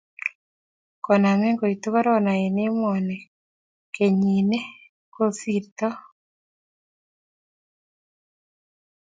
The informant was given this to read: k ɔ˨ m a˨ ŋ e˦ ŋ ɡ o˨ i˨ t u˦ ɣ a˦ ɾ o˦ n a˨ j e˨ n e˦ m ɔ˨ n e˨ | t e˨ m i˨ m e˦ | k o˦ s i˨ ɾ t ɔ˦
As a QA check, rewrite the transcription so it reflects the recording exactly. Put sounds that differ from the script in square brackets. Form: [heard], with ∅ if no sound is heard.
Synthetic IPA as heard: k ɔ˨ [n] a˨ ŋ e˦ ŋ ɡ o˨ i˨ t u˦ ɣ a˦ ɾ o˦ n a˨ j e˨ n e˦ m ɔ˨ n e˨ | [k] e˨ [ɲ] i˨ [n] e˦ | k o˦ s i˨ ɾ t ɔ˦